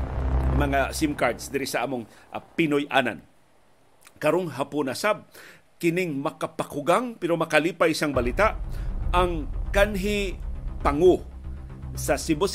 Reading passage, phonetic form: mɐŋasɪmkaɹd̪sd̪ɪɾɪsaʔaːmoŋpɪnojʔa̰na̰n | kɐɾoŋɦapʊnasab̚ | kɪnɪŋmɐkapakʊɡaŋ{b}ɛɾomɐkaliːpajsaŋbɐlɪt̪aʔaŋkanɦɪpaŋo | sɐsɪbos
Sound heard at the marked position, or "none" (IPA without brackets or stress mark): p